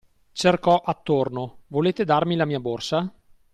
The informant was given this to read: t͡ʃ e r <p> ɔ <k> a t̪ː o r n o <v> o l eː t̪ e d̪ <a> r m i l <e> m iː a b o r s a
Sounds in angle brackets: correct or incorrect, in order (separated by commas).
incorrect, incorrect, correct, correct, incorrect